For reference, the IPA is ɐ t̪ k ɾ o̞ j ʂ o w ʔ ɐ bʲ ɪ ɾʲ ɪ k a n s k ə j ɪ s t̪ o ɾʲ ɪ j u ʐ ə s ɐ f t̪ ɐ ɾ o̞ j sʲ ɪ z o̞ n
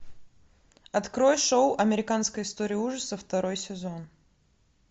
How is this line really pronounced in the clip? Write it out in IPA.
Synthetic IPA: ɐ t̪ k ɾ o̞ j ʂ o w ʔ ɐ mʲ ɪ ɾʲ ɪ k a n s k ə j ɪ s t̪ o ɾʲ ɪ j u ʐ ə s ə f t̪ ɐ ɾ o̞ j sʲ ɪ z o̞ n